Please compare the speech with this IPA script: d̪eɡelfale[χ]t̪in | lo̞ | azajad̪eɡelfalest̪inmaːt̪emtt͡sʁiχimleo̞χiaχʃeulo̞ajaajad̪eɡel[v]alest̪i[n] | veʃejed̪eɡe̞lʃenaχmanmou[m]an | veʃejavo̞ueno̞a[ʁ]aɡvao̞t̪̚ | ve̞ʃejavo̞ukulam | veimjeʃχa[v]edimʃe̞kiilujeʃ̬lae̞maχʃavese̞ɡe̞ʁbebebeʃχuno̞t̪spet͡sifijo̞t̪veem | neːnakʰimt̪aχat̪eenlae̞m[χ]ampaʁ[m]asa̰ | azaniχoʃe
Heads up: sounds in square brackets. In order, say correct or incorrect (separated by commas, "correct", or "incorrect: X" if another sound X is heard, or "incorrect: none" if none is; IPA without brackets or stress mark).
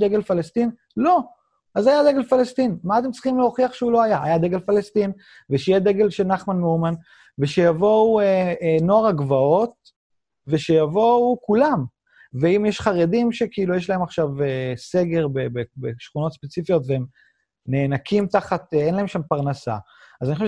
incorrect: s, incorrect: f, correct, correct, correct, incorrect: ʁ, incorrect: ʃ, incorrect: n